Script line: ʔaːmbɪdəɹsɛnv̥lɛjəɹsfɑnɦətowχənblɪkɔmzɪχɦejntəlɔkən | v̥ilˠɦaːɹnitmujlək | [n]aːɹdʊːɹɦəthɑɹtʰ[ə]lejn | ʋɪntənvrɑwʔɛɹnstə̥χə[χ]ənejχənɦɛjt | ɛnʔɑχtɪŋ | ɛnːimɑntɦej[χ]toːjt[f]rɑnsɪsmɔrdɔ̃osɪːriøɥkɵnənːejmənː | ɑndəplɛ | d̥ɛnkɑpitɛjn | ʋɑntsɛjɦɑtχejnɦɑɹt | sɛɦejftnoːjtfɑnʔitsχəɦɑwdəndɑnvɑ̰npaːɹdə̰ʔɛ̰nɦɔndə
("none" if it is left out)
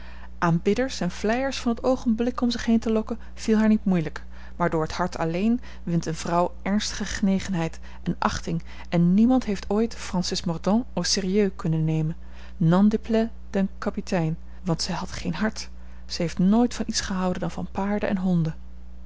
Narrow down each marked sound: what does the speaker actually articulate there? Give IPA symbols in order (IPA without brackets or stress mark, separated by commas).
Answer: m, ɑ, χ, f, f